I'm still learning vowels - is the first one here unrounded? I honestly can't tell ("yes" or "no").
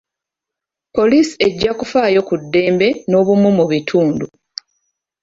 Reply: no